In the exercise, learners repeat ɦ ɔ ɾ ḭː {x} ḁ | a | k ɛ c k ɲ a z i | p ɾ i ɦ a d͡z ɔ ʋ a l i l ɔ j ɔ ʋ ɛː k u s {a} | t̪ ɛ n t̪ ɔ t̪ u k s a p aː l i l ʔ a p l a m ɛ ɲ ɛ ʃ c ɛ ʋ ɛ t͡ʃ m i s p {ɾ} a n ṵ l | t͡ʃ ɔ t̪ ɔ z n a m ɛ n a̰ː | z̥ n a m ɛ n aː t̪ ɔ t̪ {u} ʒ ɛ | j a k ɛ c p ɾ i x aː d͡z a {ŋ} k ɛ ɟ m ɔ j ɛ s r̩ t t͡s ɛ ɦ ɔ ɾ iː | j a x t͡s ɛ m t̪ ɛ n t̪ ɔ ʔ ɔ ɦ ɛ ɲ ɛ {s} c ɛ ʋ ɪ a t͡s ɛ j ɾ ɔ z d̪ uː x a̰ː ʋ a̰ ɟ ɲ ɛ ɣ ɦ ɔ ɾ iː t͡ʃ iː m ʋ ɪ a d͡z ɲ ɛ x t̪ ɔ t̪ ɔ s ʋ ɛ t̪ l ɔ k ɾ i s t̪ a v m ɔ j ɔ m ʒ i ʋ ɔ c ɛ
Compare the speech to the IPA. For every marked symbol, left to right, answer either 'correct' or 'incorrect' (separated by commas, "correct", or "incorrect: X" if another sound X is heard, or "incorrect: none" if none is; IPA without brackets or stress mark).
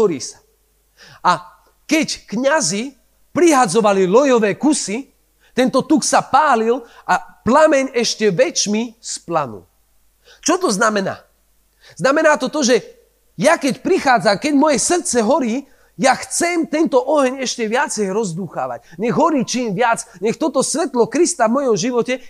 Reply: incorrect: s, incorrect: i, incorrect: l, incorrect: ɔ, incorrect: m, incorrect: ʃ